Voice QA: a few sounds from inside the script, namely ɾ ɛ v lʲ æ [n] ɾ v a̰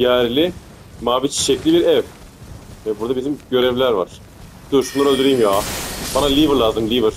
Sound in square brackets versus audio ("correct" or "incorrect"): incorrect